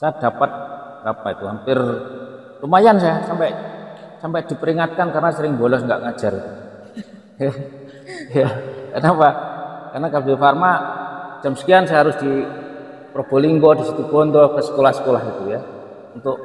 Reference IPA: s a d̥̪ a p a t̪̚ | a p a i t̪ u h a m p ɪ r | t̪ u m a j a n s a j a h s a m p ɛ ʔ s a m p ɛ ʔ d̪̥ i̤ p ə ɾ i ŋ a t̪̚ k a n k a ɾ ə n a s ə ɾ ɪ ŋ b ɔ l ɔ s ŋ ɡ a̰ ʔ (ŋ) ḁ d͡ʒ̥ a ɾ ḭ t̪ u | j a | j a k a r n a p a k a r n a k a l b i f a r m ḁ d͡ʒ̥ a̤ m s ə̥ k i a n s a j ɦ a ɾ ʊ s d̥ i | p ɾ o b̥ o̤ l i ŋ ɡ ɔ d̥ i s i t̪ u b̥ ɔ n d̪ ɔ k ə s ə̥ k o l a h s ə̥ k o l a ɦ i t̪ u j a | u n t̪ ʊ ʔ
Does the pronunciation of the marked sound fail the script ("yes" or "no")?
no